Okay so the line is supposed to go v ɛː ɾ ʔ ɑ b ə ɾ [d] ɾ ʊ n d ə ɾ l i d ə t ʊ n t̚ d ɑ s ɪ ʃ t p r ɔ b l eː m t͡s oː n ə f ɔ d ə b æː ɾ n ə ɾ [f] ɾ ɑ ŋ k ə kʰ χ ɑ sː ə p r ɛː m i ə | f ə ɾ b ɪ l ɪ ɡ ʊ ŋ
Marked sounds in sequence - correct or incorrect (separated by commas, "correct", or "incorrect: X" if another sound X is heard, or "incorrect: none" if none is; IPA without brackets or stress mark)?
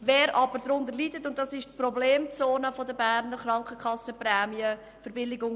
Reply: correct, incorrect: χ